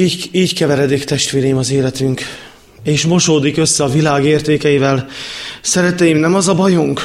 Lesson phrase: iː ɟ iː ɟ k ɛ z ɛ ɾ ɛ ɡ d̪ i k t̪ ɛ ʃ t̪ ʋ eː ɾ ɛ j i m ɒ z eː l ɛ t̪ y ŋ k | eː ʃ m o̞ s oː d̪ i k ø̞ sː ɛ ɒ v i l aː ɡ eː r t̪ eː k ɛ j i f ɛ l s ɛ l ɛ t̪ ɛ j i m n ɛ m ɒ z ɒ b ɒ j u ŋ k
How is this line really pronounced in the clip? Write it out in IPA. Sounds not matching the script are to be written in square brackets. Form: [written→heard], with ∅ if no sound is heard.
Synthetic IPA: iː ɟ iː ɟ k ɛ [z→v] ɛ ɾ ɛ [ɡ→∅] d̪ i k t̪ ɛ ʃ t̪ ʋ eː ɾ ɛ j i m ɒ z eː l ɛ t̪ y ŋ k | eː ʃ m o̞ [s→ʃ] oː d̪ i k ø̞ sː ɛ ɒ v i l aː ɡ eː r t̪ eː k ɛ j i [f→v] ɛ l s ɛ [l→ɾ] ɛ t̪ ɛ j i m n ɛ m ɒ z ɒ b ɒ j u ŋ k